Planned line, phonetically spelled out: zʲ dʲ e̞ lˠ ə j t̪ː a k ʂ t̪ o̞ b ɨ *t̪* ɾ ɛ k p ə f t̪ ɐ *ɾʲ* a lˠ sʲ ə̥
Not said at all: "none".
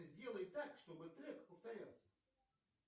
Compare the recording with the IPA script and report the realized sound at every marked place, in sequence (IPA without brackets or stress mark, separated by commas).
t̪, ɾʲ